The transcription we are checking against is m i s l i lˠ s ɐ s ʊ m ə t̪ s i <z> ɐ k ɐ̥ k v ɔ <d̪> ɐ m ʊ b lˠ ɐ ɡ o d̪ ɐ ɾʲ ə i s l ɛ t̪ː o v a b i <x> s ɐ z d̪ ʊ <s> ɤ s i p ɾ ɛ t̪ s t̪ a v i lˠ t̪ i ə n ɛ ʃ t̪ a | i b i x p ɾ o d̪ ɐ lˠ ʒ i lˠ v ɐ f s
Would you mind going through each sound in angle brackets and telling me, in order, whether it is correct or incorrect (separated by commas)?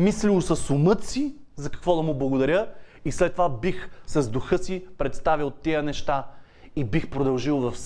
correct, correct, correct, incorrect